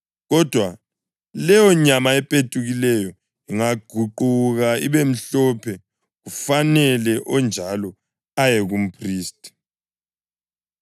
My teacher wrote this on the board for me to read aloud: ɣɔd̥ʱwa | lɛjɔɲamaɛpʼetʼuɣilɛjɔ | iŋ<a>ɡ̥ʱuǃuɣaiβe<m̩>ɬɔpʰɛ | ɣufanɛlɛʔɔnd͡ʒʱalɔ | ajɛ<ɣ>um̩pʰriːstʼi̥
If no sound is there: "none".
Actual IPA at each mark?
a, m̩, ɣ

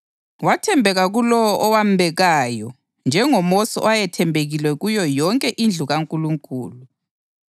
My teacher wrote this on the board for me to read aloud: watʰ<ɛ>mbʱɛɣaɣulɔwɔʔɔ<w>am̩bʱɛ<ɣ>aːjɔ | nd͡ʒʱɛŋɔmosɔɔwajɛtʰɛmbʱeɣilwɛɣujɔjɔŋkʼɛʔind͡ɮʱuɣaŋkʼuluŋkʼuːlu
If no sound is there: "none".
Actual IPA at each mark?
ɛ, w, ɣ

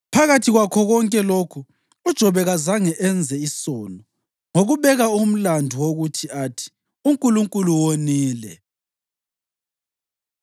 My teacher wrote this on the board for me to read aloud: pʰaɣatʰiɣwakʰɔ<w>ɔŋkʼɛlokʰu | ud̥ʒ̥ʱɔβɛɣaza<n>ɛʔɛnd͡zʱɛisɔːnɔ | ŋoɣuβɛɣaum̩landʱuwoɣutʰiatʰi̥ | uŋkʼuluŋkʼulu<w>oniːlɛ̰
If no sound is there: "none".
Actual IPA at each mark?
ɣ, ŋ, w

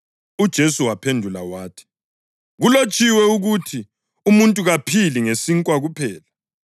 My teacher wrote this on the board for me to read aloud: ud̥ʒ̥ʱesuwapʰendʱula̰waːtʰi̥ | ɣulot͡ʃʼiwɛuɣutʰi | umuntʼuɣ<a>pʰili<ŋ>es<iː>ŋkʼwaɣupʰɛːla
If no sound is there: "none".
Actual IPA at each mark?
a, ŋ, i

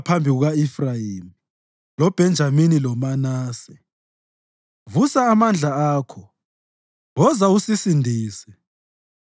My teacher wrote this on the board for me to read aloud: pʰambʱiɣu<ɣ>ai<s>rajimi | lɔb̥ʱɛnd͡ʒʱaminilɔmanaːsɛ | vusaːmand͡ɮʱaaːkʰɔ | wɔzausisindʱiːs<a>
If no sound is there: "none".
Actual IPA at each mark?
ɣ, f, ɛ

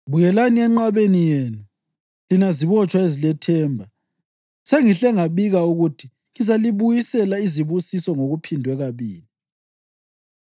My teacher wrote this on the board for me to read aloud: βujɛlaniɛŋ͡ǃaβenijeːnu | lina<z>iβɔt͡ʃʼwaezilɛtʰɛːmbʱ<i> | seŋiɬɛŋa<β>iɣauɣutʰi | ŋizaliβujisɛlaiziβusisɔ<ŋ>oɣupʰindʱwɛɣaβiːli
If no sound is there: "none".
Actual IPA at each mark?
z, a, β, ŋ

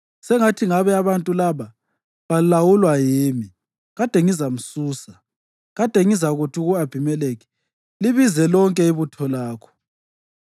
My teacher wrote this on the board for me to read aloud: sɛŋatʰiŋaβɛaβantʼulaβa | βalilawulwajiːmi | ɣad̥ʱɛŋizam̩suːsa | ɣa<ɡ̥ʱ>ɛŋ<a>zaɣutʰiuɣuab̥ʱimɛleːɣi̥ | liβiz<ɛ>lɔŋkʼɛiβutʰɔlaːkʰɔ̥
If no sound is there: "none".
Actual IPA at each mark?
d̥ʱ, i, ɛ

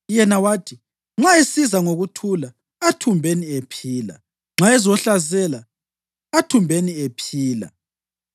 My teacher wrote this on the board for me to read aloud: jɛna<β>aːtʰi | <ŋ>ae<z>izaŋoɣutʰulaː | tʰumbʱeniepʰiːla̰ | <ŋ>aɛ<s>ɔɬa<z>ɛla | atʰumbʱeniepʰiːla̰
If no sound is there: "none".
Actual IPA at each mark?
w, ŋ͡ǁ, s, ŋ͡ǁ, z, z

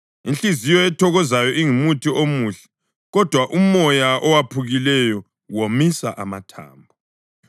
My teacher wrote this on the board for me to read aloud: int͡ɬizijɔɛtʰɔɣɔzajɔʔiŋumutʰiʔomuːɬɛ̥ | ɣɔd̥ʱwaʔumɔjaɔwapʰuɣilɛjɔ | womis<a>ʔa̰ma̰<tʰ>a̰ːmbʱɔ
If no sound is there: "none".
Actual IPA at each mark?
a, tʰ

